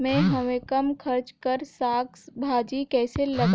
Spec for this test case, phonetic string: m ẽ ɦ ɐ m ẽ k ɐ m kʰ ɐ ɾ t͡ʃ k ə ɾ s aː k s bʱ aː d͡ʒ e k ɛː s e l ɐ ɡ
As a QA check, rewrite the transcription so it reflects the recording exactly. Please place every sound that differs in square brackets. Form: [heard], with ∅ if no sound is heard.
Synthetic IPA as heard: m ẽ ɦ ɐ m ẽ k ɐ m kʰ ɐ ɾ t͡ʃ k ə ɾ s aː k s bʱ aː d͡ʒ [i] k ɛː s e l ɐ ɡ